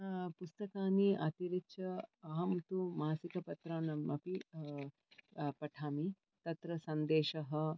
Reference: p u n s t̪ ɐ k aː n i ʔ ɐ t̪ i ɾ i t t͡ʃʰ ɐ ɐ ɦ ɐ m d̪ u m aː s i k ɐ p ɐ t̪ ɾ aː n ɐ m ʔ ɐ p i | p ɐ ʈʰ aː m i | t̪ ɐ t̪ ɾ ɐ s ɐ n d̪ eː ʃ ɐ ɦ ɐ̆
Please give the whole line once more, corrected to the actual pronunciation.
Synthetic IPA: p u s t̪ ɐ k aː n i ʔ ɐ t̪ i ɾ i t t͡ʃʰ ɐ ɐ ɦ ɐ m t̪ u m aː s i k ɐ p ɐ t̪ ɾ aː n ɐ m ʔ ɐ p i | p ɐ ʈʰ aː m i | t̪ ɐ t̪ ɾ ɐ s ɐ n d̪ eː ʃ ɐ ɦ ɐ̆

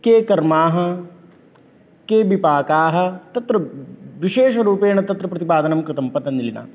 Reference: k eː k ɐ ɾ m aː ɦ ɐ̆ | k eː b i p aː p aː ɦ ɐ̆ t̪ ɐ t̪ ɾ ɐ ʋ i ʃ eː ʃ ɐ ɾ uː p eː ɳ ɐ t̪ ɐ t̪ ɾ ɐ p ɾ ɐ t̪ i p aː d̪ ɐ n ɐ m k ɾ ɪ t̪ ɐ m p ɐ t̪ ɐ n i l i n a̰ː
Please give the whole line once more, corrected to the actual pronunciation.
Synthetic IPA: k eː k ɐ ɾ m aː ɦ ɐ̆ | k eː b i p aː k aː ɦ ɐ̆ t̪ ɐ t̪ ɾ ɐ ʋ i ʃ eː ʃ ɐ ɾ uː p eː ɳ ɐ t̪ ɐ t̪ ɾ ɐ p ɾ ɐ t̪ i p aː d̪ ɐ n ɐ m k ɾ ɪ t̪ ɐ m p ɐ t̪ ɐ n i l i n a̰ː

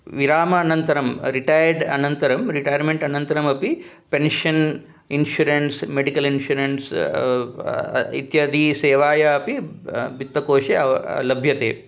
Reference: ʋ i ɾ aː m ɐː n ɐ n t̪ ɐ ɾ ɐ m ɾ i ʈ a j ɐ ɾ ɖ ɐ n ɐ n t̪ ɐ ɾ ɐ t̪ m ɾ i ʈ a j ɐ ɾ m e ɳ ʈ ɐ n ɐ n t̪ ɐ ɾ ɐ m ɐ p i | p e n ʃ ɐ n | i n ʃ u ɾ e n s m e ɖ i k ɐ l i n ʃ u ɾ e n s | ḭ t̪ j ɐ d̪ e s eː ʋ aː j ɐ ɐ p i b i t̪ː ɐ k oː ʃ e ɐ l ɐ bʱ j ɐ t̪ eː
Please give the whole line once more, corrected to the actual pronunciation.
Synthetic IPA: ʋ i ɾ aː m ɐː n ɐ n t̪ ɐ ɾ ɐ m ɾ i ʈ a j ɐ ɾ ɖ ɐ n ɐ n t̪ ɐ ɾ ɐ m ɾ i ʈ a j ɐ ɾ m e ɳ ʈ ɐ n ɐ n t̪ ɐ ɾ ɐ m ɐ p i | p e n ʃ ɐ n | i n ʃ u ɾ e n s m e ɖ i k ɐ l i n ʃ u ɾ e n s | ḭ t̪ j ɐ d̪ i s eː ʋ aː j ɐ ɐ p i b i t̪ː ɐ k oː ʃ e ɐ l ɐ bʱ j ɐ t̪ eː

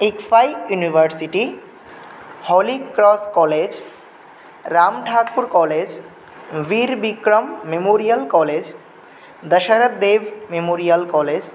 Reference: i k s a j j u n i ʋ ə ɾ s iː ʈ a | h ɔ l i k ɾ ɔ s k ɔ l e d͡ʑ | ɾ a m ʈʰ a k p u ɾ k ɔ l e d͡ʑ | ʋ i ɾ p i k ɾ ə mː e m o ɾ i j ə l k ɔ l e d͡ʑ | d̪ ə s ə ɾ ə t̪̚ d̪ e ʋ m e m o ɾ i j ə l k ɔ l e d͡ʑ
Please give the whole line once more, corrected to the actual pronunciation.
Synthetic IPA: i k f a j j u n i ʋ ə ɾ s i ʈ i | h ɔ l i k ɾ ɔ s k ɔ l e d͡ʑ | ɾ a m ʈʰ a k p u ɾ k ɔ l e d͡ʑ | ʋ i ɾ b i k ɾ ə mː e m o ɾ i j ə l k ɔ l e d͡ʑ | d̪ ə ʃ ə ɾ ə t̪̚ d̪ e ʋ m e m o ɾ i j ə l k ɔ l e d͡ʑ

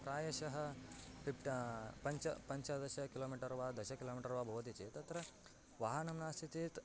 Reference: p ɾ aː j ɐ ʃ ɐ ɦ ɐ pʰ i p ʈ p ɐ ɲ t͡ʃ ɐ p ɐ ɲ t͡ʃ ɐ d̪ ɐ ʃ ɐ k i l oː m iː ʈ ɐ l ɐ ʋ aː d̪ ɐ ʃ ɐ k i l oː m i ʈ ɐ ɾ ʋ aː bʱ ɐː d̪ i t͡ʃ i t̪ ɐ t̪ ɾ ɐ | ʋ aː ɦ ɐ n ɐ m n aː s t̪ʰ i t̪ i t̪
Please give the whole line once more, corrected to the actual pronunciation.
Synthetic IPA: p ɾ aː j ɐ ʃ ɐ ɦ ɐ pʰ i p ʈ p ɐ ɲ t͡ʃ ɐ p ɐ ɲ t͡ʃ ɐ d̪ ɐ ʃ ɐ k i l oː m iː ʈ ɐ ɾ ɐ ʋ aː d̪ ɐ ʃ ɐ k i l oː m i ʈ ɐ ɾ ʋ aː bʱ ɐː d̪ i t͡ʃ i t̪ ɐ t̪ ɾ ɐ | ʋ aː ɦ ɐ n ɐ m n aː s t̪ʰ i t̪ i t̪

